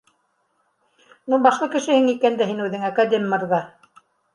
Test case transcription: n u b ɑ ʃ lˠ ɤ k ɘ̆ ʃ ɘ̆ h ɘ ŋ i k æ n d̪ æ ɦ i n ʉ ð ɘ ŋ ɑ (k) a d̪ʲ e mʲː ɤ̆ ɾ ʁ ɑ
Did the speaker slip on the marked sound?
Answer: no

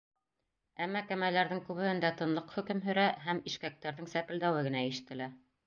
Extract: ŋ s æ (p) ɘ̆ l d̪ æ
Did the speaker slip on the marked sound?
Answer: no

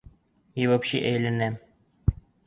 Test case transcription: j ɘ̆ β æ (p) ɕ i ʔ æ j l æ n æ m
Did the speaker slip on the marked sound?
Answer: no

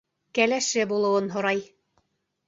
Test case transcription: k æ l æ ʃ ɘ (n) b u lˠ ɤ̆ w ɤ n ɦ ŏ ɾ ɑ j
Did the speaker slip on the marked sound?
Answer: yes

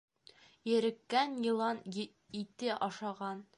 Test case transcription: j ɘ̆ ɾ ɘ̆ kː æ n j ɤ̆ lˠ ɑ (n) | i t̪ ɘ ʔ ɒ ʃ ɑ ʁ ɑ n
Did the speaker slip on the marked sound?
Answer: no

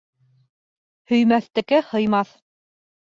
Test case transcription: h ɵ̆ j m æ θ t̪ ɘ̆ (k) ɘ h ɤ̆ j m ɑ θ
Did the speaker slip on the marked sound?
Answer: no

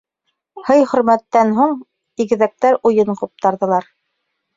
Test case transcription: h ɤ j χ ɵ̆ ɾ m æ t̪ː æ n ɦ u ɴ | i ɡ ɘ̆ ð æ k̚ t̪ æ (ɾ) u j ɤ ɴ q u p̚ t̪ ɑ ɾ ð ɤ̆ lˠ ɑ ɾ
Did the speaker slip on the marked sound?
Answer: no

